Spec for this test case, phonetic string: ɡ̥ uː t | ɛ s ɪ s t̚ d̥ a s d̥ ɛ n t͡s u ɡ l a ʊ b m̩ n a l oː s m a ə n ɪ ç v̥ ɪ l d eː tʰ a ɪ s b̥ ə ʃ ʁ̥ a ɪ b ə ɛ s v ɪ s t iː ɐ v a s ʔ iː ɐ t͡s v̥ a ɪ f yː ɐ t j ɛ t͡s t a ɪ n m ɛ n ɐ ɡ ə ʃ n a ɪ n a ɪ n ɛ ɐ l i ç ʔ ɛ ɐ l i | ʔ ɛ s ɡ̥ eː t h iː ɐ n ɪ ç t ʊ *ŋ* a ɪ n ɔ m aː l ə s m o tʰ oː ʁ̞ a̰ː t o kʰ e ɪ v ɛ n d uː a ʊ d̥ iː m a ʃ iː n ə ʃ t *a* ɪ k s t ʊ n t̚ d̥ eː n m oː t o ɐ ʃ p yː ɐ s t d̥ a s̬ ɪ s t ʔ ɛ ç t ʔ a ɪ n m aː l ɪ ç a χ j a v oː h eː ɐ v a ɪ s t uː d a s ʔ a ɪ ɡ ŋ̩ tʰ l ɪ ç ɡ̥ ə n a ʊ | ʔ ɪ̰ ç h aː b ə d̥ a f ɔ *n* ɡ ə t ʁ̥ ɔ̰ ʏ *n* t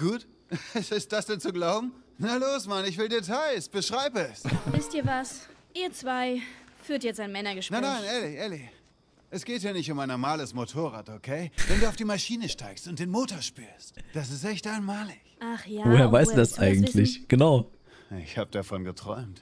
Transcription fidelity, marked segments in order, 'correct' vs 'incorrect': incorrect, correct, correct, incorrect

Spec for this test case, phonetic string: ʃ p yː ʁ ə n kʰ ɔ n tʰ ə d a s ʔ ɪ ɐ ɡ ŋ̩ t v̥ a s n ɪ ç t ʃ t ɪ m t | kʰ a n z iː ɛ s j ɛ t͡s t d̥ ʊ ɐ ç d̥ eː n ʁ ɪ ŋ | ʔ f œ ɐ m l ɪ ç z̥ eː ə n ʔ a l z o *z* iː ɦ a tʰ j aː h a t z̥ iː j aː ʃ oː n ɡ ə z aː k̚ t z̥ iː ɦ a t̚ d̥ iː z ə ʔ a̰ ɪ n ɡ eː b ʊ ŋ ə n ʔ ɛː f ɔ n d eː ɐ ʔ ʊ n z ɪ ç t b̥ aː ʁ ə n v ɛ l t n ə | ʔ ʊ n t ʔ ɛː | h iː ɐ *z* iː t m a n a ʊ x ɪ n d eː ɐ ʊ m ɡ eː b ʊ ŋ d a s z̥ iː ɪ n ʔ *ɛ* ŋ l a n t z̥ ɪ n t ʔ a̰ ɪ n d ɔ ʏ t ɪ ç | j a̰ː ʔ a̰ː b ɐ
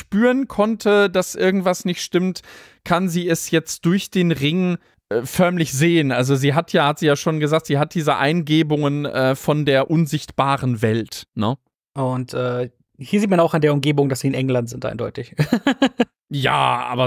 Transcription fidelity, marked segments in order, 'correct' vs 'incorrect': correct, correct, correct

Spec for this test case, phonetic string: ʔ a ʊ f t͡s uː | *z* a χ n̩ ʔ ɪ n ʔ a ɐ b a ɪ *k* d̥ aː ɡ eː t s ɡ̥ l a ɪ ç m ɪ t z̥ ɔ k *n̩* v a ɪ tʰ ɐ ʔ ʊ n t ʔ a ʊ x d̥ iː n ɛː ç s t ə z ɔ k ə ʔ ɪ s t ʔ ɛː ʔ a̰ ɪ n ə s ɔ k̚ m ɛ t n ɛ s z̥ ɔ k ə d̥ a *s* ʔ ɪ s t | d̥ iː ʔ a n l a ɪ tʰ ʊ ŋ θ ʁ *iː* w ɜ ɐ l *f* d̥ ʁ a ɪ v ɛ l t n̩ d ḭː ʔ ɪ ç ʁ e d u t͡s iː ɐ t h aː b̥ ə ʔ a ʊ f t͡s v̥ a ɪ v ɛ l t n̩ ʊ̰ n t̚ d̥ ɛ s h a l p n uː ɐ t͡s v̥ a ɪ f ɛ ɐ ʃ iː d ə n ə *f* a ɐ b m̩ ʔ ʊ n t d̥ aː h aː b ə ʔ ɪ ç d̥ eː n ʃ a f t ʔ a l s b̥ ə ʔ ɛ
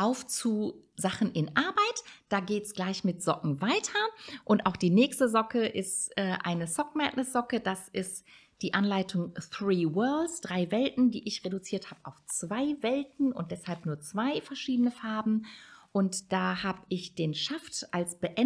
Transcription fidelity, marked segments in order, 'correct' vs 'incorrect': correct, incorrect, incorrect, correct, correct, incorrect, correct

